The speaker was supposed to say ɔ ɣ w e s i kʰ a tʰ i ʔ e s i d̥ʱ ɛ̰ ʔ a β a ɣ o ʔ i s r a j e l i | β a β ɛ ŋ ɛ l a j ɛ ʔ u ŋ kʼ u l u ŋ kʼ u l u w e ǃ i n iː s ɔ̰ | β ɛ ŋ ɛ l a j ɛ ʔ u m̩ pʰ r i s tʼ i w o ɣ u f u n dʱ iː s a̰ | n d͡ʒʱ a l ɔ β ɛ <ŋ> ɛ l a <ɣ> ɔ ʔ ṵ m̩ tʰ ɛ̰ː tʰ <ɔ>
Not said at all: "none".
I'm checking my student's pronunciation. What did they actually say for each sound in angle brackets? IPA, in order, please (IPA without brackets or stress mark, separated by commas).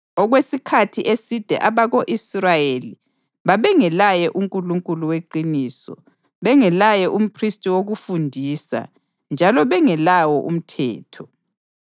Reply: ŋ, w, ɔ